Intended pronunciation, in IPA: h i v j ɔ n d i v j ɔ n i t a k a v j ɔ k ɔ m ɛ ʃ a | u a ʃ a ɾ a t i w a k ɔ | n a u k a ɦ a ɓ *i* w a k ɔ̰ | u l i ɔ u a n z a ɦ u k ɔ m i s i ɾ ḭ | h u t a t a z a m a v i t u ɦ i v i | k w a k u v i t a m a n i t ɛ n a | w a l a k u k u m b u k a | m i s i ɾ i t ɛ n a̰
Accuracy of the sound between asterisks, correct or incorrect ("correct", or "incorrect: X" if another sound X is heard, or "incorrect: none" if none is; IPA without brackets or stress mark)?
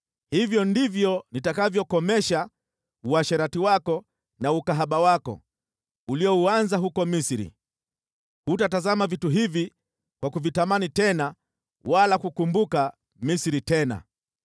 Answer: incorrect: a